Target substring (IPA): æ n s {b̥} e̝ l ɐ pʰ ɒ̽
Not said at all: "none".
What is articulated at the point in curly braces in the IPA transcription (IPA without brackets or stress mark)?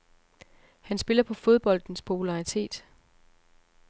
b̥